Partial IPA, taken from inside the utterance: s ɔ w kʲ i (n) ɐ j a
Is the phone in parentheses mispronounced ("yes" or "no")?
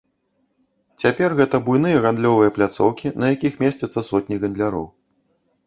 no